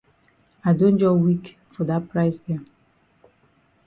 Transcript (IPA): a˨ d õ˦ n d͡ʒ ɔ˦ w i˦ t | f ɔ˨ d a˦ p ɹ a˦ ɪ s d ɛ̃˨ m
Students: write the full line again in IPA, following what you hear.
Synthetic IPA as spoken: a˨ d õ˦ n d͡ʒ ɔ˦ w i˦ k | f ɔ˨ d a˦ p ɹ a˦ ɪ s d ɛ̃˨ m